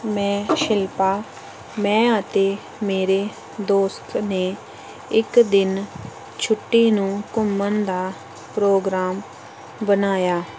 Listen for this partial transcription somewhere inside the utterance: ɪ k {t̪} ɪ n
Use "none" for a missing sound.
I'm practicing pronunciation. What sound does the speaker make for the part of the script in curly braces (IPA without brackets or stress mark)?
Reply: d̪